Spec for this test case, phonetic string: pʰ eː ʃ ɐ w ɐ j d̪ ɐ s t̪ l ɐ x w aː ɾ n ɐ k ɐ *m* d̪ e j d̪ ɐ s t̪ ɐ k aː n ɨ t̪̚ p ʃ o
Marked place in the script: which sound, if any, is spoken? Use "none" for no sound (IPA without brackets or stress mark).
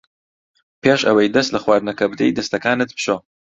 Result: b